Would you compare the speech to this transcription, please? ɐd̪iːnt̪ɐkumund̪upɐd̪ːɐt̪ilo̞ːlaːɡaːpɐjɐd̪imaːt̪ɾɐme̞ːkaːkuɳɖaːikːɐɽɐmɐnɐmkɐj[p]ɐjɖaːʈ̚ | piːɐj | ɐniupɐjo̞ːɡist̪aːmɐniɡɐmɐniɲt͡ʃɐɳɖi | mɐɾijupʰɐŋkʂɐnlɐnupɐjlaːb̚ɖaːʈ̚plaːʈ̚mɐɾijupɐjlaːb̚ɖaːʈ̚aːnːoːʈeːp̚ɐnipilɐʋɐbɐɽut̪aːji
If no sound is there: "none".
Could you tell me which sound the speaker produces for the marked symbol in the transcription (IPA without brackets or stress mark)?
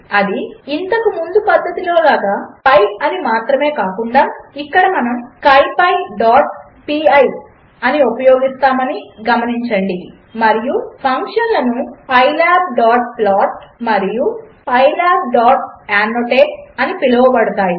p